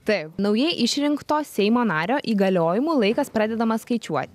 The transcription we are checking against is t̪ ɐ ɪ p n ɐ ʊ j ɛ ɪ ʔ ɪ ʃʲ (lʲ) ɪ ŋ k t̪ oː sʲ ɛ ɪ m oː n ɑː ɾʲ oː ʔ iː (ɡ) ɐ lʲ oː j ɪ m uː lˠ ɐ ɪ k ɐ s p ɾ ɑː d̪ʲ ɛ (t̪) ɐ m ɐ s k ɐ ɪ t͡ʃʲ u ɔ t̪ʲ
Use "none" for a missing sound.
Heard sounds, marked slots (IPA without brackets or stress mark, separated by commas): ɾʲ, ɡ, d̪